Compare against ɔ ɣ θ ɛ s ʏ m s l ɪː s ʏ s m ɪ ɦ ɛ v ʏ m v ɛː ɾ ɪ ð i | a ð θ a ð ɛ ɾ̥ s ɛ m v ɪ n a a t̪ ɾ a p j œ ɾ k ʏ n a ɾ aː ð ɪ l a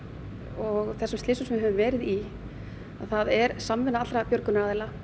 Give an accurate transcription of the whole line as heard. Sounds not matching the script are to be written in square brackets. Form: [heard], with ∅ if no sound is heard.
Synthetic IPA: ɔ ɣ θ ɛ s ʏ m s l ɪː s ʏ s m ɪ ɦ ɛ v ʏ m v ɛː ɾ ɪ ð i | a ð θ a ð ɛ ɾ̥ s [a] m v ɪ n a a t̪ ɾ a p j œ ɾ k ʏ n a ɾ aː ð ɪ l a